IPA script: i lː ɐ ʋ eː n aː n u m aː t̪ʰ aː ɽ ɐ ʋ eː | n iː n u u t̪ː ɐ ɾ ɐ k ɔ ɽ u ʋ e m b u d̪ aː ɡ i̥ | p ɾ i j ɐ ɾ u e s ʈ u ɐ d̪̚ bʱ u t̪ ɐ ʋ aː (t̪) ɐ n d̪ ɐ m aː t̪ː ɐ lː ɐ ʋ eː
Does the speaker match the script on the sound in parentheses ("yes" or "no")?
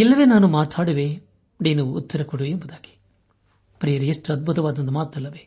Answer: no